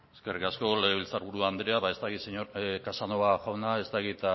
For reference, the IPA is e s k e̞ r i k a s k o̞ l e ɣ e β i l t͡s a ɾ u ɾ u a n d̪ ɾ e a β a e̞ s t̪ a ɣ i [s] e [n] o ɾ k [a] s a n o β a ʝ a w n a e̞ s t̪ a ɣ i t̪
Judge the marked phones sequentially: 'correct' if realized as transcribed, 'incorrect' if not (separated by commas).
correct, incorrect, correct